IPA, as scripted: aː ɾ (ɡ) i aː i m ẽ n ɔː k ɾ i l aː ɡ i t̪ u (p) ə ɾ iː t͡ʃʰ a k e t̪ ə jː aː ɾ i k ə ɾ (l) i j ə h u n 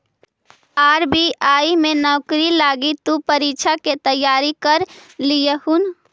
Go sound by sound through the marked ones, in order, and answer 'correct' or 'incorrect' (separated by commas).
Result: incorrect, correct, correct